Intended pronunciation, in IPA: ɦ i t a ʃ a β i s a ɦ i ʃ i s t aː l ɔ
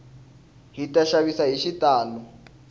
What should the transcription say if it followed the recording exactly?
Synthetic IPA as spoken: ɦ i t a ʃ a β i s a ɦ i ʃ i t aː l ɔ